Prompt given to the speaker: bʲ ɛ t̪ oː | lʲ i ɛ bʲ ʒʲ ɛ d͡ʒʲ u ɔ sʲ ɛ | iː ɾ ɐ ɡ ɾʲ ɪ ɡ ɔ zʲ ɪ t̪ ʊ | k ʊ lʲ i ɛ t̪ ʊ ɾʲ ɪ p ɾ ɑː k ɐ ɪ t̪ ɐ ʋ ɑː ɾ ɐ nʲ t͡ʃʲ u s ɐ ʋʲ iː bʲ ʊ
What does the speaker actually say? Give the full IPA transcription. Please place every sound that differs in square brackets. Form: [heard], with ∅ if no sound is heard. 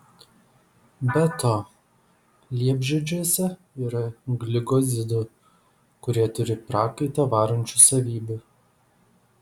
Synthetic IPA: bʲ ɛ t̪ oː | lʲ i ɛ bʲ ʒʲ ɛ d͡ʒʲ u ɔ sʲ ɛ | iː ɾ ɐ ɡ [lʲ] ɪ ɡ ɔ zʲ ɪ [d̪] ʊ | k ʊ [ɾʲ] i ɛ t̪ ʊ ɾʲ ɪ p ɾ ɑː k ɐ ɪ t̪ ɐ ʋ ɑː ɾ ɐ nʲ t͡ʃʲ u s ɐ ʋʲ iː bʲ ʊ